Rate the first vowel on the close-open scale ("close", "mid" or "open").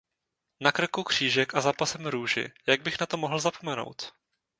open